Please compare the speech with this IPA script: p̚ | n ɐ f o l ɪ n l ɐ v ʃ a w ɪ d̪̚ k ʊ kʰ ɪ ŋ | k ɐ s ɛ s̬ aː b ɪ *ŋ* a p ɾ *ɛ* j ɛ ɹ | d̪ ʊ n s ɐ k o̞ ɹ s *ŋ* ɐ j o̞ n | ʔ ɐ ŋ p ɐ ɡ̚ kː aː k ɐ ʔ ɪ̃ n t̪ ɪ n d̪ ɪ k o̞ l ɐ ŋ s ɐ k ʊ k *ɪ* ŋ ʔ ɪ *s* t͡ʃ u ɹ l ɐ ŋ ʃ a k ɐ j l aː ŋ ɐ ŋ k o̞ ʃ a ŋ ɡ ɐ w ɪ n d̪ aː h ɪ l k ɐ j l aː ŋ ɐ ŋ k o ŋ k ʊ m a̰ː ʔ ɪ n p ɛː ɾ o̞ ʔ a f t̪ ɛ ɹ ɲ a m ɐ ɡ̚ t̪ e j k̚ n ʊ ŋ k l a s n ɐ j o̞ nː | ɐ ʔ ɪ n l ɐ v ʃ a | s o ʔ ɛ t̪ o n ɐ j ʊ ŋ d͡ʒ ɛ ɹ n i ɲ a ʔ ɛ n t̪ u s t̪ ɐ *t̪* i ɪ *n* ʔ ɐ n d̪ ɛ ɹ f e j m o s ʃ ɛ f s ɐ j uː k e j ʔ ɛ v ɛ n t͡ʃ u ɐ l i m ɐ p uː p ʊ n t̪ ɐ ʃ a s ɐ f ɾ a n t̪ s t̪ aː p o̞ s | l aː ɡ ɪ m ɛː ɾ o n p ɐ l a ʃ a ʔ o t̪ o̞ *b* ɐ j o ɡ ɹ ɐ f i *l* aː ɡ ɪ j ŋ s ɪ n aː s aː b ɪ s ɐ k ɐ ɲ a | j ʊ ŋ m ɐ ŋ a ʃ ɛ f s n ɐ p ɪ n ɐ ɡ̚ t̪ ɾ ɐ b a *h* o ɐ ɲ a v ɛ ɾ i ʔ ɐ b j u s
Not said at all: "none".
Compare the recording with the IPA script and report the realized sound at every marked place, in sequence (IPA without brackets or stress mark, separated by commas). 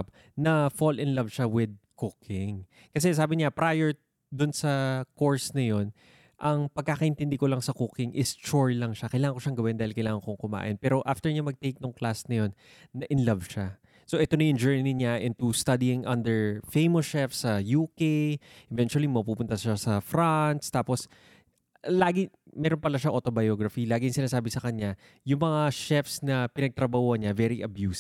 ɲ, a, n, ɪ, s, d̪, ŋ, b, l, h